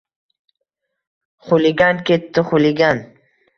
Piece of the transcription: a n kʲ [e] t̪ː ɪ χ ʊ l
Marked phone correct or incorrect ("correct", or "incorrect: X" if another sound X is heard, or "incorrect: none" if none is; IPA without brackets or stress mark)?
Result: correct